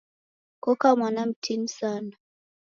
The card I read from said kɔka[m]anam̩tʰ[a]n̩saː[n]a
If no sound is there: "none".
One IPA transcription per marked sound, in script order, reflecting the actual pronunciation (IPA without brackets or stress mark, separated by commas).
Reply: m, i, n